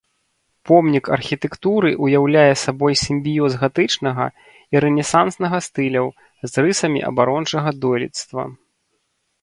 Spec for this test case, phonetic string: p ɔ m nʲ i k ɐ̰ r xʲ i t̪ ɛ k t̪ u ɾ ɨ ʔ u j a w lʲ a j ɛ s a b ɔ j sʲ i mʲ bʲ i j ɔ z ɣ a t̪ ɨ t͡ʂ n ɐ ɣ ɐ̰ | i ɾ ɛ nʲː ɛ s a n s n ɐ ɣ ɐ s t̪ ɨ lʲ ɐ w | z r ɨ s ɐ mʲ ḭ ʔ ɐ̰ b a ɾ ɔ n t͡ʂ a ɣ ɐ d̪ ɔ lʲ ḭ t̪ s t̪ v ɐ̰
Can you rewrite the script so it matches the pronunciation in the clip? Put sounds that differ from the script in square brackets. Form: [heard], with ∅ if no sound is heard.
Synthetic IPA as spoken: p ɔ m nʲ i k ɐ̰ r xʲ i t̪ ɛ k t̪ u ɾ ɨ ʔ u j a w lʲ a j ɛ s a b ɔ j sʲ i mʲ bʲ i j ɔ z ɣ a t̪ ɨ t͡ʂ n ɐ ɣ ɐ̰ | i ɾ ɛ [nʲ] ɛ s a n s n ɐ ɣ ɐ s t̪ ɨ lʲ ɐ w | z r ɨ s ɐ mʲ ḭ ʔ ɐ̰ b a ɾ ɔ n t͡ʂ [ɐ] ɣ ɐ d̪ ɔ lʲ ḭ t̪ s t̪ v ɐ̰